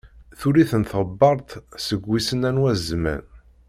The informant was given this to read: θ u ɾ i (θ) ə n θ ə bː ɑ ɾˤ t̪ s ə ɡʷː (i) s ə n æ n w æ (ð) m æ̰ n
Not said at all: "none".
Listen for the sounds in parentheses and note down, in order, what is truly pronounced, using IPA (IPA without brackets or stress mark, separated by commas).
θ, i, z